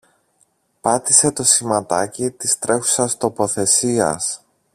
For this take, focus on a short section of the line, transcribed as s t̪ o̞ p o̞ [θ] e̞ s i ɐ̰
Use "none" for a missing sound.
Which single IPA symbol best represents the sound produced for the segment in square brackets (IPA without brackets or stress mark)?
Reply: θ